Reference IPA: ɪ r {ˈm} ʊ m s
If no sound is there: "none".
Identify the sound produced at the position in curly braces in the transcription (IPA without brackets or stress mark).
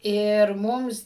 m